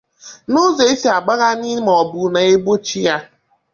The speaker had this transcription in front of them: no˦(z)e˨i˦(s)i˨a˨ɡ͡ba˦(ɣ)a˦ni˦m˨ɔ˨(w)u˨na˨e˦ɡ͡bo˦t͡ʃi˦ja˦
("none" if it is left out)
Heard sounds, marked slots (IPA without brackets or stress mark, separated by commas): z, s, ɣ, b